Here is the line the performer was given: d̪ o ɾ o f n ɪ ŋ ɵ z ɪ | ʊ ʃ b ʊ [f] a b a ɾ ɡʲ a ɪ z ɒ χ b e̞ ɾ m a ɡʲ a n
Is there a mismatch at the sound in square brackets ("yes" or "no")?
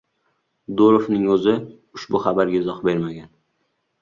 yes